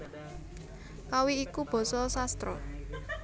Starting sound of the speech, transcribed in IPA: k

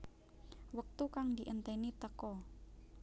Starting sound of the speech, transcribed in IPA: w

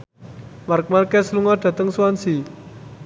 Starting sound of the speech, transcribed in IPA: m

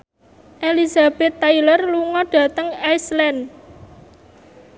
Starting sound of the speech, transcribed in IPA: ʔ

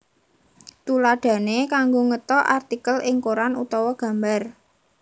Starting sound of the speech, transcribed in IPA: t̪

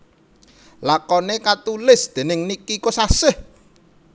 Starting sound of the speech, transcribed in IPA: l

